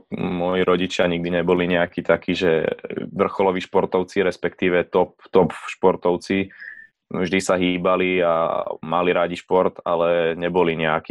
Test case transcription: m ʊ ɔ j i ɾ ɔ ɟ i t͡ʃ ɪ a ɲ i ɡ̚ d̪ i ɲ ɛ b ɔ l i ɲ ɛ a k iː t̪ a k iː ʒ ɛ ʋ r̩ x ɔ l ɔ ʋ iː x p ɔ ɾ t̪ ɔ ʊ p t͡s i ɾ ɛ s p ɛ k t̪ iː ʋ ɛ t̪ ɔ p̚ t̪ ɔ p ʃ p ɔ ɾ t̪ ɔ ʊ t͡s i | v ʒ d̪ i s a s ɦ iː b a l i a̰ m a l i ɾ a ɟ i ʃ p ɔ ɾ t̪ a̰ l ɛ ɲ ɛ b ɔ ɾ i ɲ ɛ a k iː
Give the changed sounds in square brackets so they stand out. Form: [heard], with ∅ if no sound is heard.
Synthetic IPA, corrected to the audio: m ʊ ɔ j i ɾ ɔ ɟ i t͡ʃ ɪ a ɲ i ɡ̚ d̪ i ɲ ɛ b ɔ l i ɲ ɛ a k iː t̪ a k iː ʒ ɛ ʋ r̩ x ɔ l ɔ ʋ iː [ʃ] p ɔ ɾ t̪ ɔ ʊ [∅] t͡s i ɾ ɛ s p ɛ k t̪ iː ʋ ɛ t̪ ɔ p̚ t̪ ɔ p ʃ p ɔ ɾ t̪ ɔ ʊ t͡s i | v ʒ d̪ i s a [∅] ɦ iː b a l i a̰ m a l i ɾ a ɟ i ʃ p ɔ ɾ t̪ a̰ l ɛ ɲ ɛ b ɔ [l] i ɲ ɛ a k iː